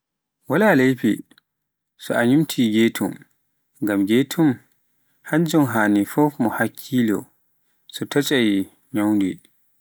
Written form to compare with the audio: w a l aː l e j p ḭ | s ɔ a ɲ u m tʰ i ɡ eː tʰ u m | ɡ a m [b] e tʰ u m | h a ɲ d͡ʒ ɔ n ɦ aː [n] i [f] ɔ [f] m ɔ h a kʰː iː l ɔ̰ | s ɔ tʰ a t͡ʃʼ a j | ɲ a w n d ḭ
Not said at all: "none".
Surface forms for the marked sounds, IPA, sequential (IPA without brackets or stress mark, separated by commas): ɡ, n, f, f